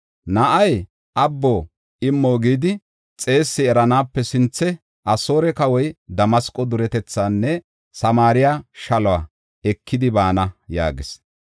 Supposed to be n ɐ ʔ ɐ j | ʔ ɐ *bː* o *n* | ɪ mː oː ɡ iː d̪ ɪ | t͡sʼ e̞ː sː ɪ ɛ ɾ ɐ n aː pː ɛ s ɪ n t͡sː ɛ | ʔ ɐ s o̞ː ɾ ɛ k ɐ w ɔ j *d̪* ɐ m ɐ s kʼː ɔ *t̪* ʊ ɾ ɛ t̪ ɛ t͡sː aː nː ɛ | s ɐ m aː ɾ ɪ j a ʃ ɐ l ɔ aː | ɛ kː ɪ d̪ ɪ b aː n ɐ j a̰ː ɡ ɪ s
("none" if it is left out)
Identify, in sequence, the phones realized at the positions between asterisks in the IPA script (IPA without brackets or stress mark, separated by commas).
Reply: bː, none, d̪, d̪